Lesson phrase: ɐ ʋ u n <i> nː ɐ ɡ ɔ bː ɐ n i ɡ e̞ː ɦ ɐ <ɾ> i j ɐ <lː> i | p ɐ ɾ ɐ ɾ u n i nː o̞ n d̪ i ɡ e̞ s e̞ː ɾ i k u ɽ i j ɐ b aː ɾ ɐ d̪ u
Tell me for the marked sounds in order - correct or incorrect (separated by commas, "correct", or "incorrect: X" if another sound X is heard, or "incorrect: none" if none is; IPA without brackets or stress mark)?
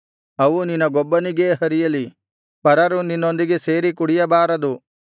correct, correct, incorrect: l